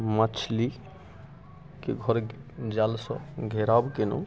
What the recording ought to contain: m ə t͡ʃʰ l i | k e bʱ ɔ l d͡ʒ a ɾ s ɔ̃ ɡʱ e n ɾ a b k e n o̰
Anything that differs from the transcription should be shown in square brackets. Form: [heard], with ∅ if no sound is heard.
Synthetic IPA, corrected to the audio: m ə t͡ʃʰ l i | k e [ɡʱ] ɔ [ɾ] d͡ʒ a [l] s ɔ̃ ɡʱ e [∅] ɾ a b k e n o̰